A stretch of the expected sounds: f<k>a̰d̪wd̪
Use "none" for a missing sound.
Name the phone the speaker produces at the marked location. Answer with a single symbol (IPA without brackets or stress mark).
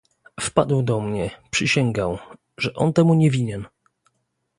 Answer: p